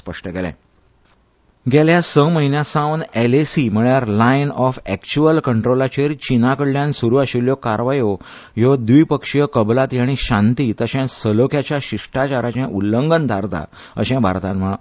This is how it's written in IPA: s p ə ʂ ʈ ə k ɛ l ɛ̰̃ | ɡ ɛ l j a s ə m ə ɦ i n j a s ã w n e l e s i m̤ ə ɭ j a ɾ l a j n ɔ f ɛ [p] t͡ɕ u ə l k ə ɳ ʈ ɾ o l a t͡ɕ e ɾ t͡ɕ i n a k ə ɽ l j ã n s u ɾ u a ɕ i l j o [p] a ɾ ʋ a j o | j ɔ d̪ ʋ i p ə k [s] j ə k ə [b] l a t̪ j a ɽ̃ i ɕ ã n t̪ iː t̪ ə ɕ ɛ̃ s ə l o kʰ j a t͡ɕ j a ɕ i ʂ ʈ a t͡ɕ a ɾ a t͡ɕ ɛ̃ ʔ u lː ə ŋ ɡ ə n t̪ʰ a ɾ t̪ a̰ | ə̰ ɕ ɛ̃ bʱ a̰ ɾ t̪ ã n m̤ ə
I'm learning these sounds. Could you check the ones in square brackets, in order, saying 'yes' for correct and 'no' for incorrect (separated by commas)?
no, no, no, yes